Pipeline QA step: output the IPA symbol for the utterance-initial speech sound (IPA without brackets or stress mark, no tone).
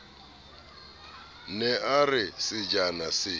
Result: n